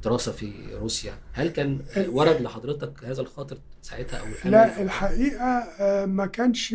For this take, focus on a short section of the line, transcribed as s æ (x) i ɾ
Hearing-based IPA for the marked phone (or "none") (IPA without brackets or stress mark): f